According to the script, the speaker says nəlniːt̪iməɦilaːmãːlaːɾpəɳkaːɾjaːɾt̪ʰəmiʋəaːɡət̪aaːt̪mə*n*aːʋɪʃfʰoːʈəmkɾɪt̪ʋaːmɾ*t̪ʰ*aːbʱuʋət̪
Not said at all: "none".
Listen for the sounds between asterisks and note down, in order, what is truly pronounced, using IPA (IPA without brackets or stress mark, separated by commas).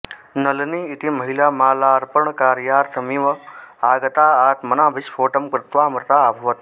n, t̪